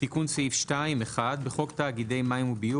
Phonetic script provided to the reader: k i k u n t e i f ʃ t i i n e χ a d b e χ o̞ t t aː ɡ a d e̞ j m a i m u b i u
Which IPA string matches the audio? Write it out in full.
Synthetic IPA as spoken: t i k u n s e i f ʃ t a i m e χ a d b e χ o̞ k t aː ɡ i d e̞ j m a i m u b i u